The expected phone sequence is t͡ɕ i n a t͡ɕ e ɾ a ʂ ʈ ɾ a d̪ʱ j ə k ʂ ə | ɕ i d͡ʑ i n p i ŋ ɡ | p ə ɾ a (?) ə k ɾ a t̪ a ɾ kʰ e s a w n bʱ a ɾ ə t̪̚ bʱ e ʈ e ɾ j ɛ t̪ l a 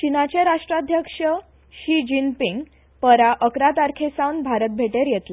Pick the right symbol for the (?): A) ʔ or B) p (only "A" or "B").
A